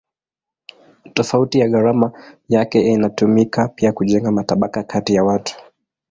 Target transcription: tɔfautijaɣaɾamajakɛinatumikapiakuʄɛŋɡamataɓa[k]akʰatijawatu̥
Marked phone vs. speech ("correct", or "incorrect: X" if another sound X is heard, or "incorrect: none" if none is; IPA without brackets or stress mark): correct